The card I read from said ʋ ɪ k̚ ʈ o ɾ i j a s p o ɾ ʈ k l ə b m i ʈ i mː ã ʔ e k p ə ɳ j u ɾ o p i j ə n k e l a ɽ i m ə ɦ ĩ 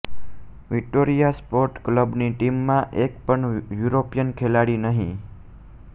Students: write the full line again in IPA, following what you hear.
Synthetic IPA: ʋ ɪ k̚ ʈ o ɾ i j a s p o ɾ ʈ k l ə b n i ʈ i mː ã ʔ e k p ə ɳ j u ɾ o p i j ə n kʰ e l a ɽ i n ə ɦ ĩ

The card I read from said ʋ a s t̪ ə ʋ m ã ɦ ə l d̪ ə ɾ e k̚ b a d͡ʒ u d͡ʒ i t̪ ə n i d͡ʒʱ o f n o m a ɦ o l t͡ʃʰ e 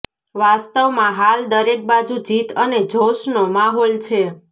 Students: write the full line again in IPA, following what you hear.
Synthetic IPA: ʋ a s t̪ ə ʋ m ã ɦ a l d̪ ə ɾ e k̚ b a d͡ʒ u d͡ʒ i t̪ ə n e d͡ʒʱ o ʃ n o m a ɦ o l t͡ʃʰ e

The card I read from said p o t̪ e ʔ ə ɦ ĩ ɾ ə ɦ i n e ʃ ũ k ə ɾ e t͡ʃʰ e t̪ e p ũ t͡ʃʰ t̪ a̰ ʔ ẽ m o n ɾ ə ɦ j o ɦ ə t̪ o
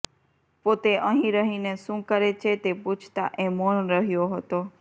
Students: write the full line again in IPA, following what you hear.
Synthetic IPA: p o t̪ e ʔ ə ɦ ĩ ɾ ə ɦ i n e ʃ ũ k ə ɾ e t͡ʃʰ e t̪ e p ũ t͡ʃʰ t̪ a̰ ʔ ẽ m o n ɾ ə ɦ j o ɦ ə t̪ o

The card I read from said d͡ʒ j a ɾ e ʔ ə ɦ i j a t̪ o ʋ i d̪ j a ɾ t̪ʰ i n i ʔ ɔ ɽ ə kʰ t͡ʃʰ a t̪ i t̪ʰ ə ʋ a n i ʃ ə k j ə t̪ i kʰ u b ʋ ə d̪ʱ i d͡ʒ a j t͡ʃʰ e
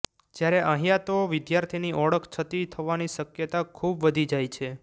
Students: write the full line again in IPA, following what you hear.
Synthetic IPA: d͡ʒ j a ɾ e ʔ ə ɦ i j a t̪ o ʋ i d̪ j a ɾ t̪ʰ i n i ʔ ɔ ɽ ə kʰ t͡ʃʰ ə t̪ i t̪ʰ ə ʋ a n i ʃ ə k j ə t̪ a kʰ u b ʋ ə d̪ʱ i d͡ʒ a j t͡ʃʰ e

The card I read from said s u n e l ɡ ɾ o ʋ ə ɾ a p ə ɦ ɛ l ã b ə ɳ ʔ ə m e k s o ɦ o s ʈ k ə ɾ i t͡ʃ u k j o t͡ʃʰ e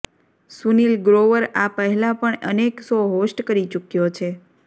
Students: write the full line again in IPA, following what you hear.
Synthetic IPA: s u n i l ɡ ɾ o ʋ ə ɾ a p ə ɦ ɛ l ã p ə ɳ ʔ ə n e k s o ɦ o s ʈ k ə ɾ i t͡ʃ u k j o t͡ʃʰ e

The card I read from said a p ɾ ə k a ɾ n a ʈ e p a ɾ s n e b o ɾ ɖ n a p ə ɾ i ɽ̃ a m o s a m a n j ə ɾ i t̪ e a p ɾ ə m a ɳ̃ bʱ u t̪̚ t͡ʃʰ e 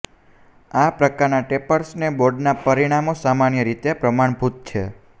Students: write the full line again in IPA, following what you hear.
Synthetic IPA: a p ɾ ə k a ɾ n a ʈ e p ə ɾ s n e b o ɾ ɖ n a p ə ɾ i ɽ̃ a m o s a m a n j ə ɾ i t̪ e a p ɾ ə m a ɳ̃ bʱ u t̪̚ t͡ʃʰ e

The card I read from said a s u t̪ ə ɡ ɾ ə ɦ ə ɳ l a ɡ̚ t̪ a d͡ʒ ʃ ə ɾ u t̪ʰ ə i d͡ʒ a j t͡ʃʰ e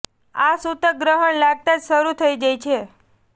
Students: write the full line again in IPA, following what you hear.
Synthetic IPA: a s u t̪ ə ɡ ɾ ə ɦ ə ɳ l a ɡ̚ t̪ a d͡ʒ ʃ ə ɾ u t̪ʰ ə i d͡ʒ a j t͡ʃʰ e

